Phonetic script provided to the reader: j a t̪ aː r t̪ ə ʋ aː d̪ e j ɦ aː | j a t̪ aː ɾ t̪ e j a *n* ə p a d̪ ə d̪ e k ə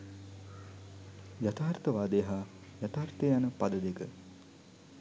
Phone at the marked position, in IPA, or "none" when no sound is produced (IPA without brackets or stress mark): n